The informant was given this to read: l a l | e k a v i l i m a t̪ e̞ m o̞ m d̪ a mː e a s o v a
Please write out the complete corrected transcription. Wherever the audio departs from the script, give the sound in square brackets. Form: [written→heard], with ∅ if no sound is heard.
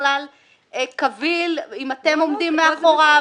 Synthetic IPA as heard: l a l | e k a v i l i m a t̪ e̞ m o̞ m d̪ [a→i] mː e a [s→χ] o [v→ʁ] a